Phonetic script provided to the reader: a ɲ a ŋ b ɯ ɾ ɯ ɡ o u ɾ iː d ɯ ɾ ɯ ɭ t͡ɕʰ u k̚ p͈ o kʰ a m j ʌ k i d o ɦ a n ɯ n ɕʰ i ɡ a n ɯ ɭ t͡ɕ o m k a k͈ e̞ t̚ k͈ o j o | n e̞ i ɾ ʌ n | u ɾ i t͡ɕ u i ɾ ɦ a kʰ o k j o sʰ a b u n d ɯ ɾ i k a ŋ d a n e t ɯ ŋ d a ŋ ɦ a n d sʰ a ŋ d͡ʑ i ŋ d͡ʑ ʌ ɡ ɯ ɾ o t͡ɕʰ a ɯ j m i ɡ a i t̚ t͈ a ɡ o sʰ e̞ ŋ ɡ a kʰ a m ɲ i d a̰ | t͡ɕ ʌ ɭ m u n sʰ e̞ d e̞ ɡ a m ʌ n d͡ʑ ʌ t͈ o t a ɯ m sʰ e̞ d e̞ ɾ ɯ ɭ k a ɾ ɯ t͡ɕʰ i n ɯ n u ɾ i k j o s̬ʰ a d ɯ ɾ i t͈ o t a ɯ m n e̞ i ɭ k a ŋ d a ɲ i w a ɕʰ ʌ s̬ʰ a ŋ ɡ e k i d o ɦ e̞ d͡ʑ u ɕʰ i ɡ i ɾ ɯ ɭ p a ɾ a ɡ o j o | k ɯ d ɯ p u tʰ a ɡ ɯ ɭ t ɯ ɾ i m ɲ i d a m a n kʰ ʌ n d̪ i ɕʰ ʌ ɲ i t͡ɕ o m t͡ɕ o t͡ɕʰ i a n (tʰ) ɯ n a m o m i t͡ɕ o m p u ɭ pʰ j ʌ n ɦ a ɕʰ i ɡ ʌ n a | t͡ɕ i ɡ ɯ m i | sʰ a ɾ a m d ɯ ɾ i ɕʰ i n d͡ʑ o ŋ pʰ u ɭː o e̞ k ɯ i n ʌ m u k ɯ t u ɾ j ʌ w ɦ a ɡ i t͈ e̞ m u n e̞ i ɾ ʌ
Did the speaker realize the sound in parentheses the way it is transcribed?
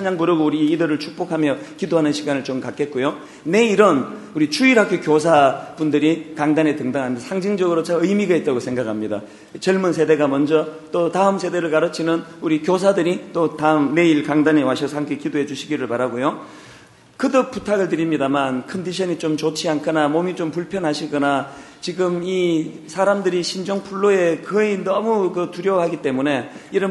no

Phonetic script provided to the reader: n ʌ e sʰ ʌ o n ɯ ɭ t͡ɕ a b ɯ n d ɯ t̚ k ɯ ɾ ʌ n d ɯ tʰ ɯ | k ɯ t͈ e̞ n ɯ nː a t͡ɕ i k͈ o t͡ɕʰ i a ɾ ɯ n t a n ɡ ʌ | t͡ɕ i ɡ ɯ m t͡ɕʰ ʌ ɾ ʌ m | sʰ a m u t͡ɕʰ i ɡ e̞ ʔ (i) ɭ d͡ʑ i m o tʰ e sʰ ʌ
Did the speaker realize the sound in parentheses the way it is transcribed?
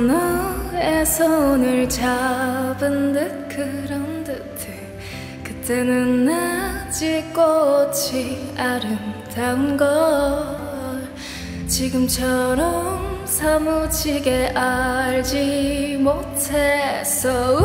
no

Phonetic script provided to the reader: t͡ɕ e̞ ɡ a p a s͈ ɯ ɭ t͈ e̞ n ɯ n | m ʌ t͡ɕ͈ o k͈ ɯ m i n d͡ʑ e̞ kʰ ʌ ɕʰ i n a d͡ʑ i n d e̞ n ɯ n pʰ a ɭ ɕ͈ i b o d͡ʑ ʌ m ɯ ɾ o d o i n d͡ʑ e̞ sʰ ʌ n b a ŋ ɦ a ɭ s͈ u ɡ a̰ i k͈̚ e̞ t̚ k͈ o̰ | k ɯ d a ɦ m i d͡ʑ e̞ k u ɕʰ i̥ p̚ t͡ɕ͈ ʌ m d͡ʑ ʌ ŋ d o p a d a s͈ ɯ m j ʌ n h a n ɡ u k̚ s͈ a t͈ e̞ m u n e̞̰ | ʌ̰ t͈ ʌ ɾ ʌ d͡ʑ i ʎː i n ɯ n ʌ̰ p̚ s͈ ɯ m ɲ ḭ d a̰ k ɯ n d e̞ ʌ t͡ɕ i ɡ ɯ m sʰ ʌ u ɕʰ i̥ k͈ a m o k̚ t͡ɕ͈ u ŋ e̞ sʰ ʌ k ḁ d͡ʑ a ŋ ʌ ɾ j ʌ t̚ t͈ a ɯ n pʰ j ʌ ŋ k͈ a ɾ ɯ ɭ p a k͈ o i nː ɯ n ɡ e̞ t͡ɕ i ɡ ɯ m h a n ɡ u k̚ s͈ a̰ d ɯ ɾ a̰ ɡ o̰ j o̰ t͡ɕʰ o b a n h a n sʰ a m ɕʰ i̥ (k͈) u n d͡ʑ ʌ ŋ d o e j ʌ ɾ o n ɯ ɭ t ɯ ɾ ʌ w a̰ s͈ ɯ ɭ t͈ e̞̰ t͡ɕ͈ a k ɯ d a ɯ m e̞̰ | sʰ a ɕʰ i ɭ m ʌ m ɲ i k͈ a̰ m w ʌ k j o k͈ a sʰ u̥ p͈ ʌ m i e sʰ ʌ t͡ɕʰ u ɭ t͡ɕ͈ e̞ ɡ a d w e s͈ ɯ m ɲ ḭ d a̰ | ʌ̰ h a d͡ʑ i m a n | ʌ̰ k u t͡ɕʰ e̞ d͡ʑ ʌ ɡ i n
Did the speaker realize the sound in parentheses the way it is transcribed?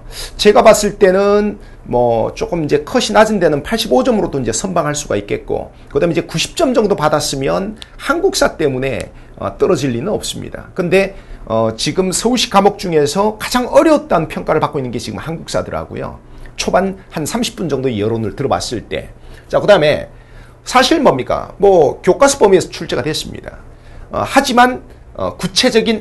no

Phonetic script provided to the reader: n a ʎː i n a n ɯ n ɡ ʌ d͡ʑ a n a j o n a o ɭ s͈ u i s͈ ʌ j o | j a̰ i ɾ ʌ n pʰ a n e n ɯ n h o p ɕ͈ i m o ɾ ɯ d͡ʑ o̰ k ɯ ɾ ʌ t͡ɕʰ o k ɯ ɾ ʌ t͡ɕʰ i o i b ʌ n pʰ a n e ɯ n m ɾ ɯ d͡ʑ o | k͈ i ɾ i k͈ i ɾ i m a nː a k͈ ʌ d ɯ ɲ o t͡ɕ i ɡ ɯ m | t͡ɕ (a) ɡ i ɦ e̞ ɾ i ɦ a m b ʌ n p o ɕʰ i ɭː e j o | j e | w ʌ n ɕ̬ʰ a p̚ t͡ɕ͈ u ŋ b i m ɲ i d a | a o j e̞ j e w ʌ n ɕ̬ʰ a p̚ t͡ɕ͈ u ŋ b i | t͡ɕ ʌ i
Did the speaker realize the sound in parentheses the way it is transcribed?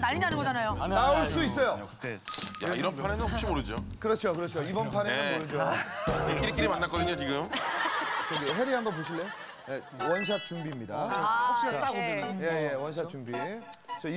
no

